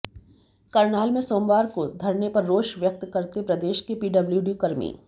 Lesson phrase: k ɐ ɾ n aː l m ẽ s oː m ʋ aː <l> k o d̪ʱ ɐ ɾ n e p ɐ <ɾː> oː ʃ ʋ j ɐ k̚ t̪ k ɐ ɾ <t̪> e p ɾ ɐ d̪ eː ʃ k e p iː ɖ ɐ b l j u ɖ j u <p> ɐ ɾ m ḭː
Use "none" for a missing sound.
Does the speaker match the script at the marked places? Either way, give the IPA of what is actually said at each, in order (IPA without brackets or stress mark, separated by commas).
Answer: ɾ, ɾː, t̪, k